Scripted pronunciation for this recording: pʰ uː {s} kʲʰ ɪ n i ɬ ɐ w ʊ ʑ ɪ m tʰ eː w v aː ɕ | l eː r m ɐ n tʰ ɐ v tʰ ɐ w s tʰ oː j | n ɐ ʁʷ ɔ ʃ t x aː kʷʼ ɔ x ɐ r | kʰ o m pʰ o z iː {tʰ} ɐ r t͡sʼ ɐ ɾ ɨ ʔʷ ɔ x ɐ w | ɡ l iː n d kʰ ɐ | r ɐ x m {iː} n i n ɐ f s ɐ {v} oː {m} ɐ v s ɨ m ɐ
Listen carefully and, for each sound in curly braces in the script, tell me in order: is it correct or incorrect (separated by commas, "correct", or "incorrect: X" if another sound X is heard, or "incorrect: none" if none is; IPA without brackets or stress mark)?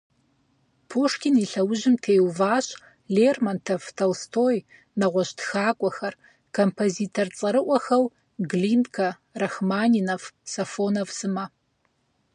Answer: incorrect: ʂ, correct, incorrect: aː, incorrect: f, incorrect: n